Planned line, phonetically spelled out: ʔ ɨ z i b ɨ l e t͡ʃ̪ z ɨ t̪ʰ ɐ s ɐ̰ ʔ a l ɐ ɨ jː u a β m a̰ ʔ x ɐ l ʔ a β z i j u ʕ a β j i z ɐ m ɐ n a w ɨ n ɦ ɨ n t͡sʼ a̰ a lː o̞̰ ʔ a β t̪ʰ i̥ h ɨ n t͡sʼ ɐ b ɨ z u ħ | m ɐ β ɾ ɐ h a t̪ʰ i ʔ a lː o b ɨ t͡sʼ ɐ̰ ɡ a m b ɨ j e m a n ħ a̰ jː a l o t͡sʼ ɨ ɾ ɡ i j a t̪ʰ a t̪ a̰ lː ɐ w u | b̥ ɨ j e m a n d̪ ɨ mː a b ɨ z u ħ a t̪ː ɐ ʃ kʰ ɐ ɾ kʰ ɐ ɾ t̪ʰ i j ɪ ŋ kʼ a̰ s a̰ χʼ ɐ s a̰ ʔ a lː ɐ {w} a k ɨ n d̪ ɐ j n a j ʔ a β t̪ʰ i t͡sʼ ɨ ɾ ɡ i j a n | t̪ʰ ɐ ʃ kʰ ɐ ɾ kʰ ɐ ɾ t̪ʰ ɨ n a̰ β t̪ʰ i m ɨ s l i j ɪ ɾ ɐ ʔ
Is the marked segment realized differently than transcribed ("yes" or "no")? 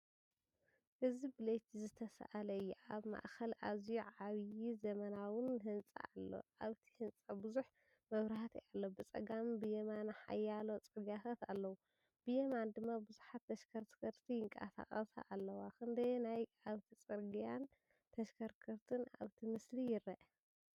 no